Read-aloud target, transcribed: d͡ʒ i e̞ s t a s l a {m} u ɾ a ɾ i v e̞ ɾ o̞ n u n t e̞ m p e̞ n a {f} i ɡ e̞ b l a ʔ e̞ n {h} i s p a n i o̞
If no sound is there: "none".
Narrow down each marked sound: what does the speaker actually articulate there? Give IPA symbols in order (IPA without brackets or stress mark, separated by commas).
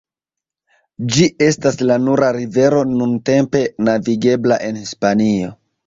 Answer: n, v, h